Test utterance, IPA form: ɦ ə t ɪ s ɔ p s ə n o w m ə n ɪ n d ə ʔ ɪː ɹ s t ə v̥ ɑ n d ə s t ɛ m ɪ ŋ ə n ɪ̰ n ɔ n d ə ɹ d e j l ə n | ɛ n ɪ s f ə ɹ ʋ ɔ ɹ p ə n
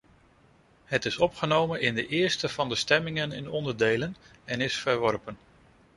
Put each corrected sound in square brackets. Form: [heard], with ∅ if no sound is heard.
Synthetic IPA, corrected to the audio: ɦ ə t ɪ s ɔ p [χ] ə n o w m ə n ɪ n d ə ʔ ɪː ɹ s t ə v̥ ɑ n d ə s t ɛ m ɪ ŋ ə n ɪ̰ n ɔ n d ə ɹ d e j l ə n | ɛ n ɪ s f ə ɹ ʋ ɔ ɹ p ə n